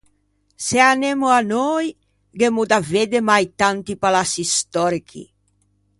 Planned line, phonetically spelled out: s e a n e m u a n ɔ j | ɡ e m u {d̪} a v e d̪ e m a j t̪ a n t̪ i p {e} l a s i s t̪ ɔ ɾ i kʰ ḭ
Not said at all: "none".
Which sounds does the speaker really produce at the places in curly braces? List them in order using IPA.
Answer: d̪, a

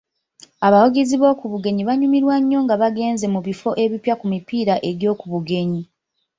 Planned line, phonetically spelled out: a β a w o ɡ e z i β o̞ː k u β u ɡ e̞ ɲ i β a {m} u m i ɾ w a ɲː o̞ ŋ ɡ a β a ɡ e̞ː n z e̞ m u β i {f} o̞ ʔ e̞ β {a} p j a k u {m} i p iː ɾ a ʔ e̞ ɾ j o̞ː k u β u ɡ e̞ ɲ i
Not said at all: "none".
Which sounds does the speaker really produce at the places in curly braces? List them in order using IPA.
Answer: ɲ, f, i, m

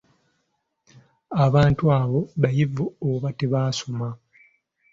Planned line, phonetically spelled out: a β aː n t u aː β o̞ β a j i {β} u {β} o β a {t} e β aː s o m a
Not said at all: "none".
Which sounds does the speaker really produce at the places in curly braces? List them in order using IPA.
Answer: v, none, t

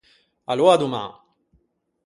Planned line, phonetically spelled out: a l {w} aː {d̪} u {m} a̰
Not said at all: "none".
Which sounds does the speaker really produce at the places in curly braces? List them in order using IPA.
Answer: w, d̪, m

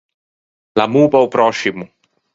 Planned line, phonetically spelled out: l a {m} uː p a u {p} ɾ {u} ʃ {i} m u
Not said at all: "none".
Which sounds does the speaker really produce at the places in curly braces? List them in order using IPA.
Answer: m, p, ɔ, i

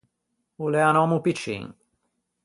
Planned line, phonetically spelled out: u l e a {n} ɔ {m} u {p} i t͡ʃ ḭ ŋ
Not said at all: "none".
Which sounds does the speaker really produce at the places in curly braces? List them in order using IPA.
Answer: n, m, p

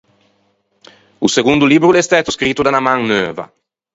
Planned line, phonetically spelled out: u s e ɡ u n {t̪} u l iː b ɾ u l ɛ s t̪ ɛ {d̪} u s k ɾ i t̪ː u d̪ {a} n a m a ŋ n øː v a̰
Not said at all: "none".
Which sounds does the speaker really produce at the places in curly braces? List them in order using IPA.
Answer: d̪, t̪, a

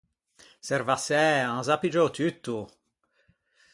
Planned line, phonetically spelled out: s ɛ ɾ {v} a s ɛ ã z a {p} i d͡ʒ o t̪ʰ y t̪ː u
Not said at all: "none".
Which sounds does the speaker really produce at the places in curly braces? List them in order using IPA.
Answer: v, p

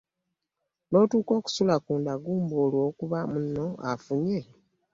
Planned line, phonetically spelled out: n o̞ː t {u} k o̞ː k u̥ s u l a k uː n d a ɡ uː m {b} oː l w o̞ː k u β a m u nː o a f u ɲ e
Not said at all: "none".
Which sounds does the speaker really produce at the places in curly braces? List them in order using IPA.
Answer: uː, b

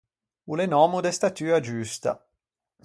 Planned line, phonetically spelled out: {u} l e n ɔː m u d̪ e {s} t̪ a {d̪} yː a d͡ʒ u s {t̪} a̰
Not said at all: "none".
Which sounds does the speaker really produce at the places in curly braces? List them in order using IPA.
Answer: u, s, t̪, t̪

